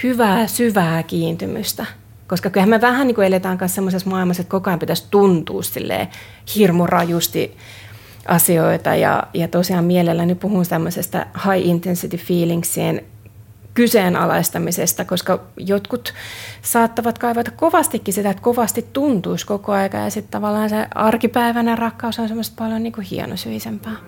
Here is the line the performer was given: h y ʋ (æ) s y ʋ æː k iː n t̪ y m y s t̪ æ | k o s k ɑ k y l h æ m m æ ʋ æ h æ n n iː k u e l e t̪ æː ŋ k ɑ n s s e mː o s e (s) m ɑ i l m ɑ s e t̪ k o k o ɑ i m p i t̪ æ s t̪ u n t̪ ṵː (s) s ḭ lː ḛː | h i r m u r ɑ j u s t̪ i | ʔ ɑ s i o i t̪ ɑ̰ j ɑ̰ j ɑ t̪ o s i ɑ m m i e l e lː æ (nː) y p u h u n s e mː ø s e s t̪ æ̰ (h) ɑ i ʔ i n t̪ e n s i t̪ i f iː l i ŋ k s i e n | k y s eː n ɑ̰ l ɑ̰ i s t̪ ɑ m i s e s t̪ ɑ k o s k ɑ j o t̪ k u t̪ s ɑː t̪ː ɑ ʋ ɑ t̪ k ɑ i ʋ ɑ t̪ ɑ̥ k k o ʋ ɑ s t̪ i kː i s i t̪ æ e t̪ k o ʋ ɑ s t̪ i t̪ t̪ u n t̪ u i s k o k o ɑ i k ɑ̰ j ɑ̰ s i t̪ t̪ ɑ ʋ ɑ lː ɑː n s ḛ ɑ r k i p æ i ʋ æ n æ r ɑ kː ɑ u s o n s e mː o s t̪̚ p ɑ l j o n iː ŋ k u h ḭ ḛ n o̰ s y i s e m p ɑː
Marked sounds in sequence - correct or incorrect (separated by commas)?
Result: incorrect, correct, correct, incorrect, correct